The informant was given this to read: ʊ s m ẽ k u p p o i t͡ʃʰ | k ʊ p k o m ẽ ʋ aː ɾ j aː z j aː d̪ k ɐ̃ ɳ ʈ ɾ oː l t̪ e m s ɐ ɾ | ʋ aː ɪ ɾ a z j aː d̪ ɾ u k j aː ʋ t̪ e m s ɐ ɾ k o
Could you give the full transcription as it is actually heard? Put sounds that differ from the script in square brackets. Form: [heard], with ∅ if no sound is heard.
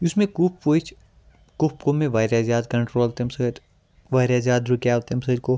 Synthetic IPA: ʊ s m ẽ k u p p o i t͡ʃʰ | k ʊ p k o m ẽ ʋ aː ɾ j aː z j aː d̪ k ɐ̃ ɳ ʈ ɾ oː l t̪ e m s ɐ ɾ | ʋ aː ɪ ɾ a z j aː d̪ ɾ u k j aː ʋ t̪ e m s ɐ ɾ k o